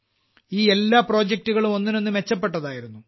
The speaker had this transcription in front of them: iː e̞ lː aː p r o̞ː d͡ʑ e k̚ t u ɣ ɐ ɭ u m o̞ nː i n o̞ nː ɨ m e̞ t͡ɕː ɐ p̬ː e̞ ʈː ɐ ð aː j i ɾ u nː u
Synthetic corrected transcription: iː e̞ lː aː p r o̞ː d͡ʑ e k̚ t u ɣ ɐ ɭ u m o̞ nː i n o̞ nː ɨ m e̞ t͡ɕː ɐ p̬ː e̞ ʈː ɐ ð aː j i ɾ u nː u

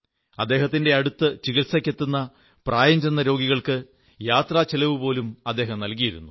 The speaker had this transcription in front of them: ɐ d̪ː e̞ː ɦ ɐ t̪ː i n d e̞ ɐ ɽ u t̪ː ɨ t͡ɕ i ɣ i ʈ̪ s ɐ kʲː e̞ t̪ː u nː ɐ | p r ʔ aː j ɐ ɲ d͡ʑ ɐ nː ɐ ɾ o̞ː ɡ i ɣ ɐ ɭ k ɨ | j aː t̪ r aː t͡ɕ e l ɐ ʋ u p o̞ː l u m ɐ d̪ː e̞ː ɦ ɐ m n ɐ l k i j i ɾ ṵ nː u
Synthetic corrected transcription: ɐ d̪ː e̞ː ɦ ɐ t̪ː i n d e̞ ɐ ɽ u t̪ː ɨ t͡ɕ i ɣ i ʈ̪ s ɐ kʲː e̞ t̪ː u nː ɐ | p r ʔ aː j ɐ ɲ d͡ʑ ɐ nː ɐ ɾ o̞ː ɡ i ɣ ɐ ɭ k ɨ | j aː t̪ r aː t͡ɕ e l ɐ ʋ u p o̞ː l u m ɐ d̪ː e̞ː ɦ ɐ m n ɐ l k i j i ɾ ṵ nː u

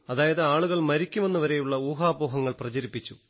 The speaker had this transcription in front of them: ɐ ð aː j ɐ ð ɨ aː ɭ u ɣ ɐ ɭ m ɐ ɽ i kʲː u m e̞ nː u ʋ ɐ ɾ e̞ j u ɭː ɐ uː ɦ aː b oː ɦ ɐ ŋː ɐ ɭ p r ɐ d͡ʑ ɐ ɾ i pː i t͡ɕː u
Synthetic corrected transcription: ɐ ð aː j ɐ ð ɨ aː ɭ u ɣ ɐ ɭ m ɐ ɾ i kʲː u m e̞ nː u ʋ ɐ ɾ e̞ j u ɭː ɐ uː ɦ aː b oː ɦ ɐ ŋː ɐ ɭ p r ɐ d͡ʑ ɐ ɾ i pː i t͡ɕː u

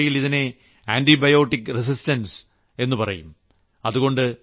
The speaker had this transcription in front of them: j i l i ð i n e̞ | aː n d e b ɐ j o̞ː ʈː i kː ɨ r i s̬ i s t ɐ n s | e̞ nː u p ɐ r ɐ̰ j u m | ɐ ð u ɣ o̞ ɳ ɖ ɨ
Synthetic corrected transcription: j i l i ð i n e̞ | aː n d i b ɐ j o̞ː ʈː i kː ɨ r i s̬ i s t ɐ n s | e̞ nː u p ɐ r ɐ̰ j u m | ɐ ð u ɣ o̞ ɳ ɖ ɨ

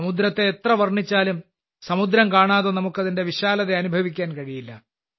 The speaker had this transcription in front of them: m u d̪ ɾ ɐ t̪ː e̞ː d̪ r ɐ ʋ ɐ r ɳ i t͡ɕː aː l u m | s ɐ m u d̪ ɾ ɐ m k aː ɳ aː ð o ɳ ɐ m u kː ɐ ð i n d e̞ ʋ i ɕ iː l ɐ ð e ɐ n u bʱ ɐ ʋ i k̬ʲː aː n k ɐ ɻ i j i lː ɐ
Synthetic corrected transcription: m u d̪ ɾ ɐ t̪ː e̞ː t̪ r ɐ ʋ ɐ r ɳ i t͡ɕː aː l u m | s ɐ m u d̪ ɾ ɐ m k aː ɳ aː ð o n ɐ m u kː ɐ ð i n d e̞ ʋ i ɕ aː l ɐ ð e ɐ n u bʱ ɐ ʋ i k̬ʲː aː n k ɐ ɻ i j i lː ɐ

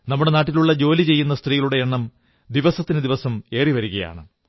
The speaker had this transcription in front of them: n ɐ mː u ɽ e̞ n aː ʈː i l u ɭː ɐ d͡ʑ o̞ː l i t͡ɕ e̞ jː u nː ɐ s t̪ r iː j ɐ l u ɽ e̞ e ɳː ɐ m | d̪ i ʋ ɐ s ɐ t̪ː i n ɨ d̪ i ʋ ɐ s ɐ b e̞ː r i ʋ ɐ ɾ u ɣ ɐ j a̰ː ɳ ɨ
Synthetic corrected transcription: n ɐ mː u ɽ e̞ n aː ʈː i l u ɭː ɐ d͡ʑ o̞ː l i t͡ɕ e̞ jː u nː ɐ s t̪ r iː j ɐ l u ɽ e̞ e ɳː ɐ m | d̪ i ʋ ɐ s ɐ t̪ː i n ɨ d̪ i ʋ ɐ s ɐ m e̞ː r i ʋ ɐ ɾ u ɣ ɐ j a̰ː ɳ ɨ

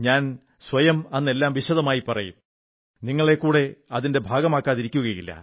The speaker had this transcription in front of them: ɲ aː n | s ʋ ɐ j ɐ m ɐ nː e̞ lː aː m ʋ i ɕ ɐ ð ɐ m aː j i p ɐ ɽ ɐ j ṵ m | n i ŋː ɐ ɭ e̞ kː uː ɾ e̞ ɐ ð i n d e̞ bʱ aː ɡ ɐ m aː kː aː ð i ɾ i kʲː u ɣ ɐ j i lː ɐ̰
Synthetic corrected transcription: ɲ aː n | s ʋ ɐ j ɐ m ɐ nː e̞ lː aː m ʋ i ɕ ɐ ð ɐ m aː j i p ɐ r ɐ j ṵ m | n i ŋː ɐ ɭ e̞ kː uː ɽ e̞ ɐ ð i n d e̞ bʱ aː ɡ ɐ m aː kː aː ð i ɾ i kʲː u ɣ ɐ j i lː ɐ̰

